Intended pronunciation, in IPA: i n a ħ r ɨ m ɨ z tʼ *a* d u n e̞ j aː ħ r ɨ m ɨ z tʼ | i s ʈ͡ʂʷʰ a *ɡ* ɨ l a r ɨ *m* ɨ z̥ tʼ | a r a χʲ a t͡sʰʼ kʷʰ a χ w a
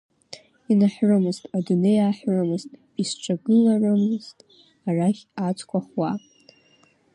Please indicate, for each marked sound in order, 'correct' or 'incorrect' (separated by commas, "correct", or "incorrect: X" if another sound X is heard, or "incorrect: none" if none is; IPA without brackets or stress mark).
correct, correct, correct